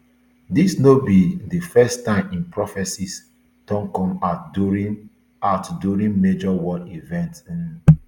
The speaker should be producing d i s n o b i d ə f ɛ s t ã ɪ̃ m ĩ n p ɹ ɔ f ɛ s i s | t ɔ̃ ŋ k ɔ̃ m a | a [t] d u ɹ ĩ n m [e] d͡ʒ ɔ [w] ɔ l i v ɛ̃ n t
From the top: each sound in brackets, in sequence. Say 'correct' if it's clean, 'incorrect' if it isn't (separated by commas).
correct, correct, correct